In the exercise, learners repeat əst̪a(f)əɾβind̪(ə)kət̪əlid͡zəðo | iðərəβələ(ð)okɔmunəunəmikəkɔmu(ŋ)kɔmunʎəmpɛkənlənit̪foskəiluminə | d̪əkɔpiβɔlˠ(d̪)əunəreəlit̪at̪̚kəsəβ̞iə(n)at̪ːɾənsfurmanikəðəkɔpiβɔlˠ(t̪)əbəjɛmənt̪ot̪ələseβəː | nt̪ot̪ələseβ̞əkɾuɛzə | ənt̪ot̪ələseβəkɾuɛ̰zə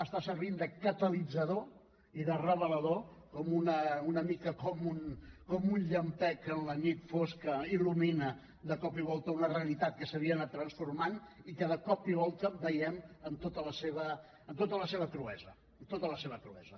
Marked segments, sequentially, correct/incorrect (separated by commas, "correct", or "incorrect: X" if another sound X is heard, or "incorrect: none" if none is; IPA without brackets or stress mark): incorrect: s, correct, correct, incorrect: n, incorrect: t̪, correct, correct